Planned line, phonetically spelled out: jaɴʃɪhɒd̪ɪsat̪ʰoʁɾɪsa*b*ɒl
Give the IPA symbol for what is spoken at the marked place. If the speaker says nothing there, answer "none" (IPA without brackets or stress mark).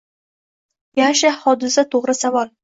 v